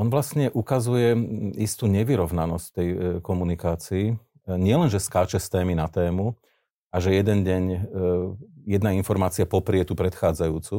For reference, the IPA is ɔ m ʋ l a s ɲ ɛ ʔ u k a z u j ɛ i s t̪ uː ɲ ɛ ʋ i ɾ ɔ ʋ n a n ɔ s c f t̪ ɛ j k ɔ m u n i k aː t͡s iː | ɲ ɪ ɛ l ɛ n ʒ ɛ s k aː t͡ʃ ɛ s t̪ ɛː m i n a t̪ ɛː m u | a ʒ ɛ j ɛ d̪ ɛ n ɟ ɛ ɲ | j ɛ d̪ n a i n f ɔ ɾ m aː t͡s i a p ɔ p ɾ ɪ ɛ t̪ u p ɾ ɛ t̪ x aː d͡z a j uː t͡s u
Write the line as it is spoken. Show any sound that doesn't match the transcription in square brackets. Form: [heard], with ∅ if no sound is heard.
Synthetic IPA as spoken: ɔ [n] ʋ l a s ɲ ɛ ʔ u k a z u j ɛ i s t̪ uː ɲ ɛ ʋ i ɾ ɔ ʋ n a n ɔ s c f t̪ ɛ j k ɔ m u n i k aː t͡s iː | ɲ ɪ ɛ l ɛ n ʒ ɛ s k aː t͡ʃ ɛ s t̪ ɛː m i n a t̪ ɛː m u | a ʒ ɛ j ɛ d̪ ɛ n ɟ ɛ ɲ | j ɛ d̪ n a i n f ɔ ɾ m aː t͡s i a p ɔ p ɾ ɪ ɛ t̪ u p ɾ ɛ t̪ x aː d͡z a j uː t͡s u